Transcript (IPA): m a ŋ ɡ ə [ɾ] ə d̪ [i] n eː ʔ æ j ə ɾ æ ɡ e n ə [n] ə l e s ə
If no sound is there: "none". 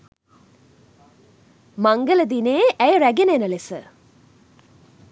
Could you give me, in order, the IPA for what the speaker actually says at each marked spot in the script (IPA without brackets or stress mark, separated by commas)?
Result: l, i, n